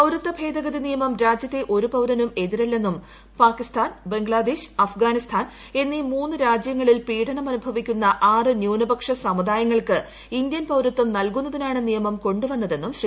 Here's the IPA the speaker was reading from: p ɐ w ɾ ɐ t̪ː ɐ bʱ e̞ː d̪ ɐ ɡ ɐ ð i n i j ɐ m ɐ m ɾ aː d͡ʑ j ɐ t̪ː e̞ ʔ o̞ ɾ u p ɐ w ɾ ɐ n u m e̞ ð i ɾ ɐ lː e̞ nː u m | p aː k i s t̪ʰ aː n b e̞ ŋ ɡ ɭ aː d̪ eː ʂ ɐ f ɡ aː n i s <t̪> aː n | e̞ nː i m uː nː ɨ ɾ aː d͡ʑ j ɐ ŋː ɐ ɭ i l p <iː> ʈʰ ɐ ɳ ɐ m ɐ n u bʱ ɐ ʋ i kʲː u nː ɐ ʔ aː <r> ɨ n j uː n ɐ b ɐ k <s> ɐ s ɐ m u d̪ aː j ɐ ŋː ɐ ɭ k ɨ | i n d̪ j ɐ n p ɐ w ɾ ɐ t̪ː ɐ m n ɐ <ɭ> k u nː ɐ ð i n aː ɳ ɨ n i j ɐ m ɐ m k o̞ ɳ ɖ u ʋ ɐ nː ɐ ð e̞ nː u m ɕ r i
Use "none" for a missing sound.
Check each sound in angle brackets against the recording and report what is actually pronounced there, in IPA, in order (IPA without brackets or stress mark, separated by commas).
t̪ʰ, iː, r, ʂ, l